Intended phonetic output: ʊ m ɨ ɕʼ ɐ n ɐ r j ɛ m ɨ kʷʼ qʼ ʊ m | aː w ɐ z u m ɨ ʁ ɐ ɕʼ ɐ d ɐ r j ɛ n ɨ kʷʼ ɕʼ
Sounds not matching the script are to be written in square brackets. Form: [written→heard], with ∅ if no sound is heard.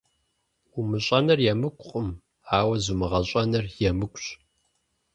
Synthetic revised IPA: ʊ m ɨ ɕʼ ɐ n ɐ r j ɛ m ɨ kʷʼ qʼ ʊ m | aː w ɐ z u m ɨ ʁ ɐ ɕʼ ɐ [d→n] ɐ r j ɛ [n→m] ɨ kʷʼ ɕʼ